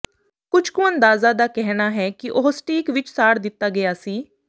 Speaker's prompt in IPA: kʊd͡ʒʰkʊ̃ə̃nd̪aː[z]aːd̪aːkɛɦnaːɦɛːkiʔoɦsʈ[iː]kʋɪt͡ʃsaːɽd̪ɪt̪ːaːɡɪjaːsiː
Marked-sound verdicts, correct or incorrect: correct, correct

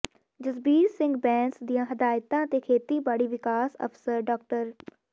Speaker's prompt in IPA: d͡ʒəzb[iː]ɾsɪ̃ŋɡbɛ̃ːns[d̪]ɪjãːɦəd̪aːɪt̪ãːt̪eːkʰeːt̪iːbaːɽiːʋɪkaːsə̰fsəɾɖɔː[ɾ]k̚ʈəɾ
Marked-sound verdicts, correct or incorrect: correct, correct, incorrect: none

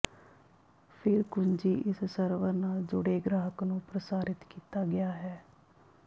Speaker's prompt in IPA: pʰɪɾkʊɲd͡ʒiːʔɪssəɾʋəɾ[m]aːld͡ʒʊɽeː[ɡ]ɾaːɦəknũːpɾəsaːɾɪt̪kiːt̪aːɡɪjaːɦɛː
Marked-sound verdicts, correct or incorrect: incorrect: n, correct

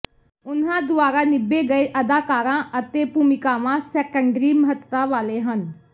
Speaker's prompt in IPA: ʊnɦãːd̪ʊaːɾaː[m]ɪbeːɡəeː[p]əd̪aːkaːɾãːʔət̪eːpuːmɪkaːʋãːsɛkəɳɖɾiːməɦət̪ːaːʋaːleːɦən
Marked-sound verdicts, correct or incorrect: incorrect: n, incorrect: ʔ

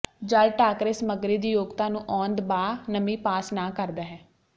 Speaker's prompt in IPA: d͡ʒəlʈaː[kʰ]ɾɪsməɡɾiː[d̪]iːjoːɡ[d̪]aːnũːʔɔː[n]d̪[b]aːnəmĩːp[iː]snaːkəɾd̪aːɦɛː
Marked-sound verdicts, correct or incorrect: incorrect: k, correct, incorrect: t̪, correct, correct, incorrect: aː

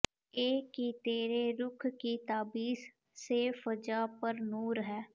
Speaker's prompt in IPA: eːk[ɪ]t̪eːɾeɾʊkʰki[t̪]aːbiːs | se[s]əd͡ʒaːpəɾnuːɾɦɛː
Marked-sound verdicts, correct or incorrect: incorrect: i, correct, incorrect: f

